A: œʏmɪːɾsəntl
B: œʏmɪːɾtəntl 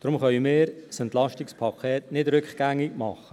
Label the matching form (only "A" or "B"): A